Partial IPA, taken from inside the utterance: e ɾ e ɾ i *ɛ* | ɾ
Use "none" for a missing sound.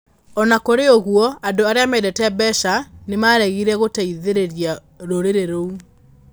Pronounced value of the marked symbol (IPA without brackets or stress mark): a